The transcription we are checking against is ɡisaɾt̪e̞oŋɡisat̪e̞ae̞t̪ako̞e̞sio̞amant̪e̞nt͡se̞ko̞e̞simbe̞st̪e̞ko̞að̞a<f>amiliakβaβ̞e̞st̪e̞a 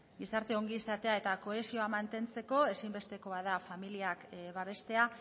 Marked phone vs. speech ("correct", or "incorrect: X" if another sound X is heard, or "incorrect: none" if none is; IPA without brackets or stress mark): correct